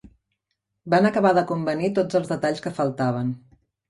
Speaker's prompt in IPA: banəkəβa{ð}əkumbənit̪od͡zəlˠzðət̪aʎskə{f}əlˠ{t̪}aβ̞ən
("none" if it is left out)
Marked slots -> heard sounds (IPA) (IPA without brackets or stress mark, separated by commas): ð, f, t̪